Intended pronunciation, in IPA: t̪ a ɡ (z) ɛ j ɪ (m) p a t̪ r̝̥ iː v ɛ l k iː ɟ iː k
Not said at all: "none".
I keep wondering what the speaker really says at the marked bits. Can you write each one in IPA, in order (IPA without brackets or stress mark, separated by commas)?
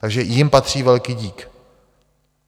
ʒ, m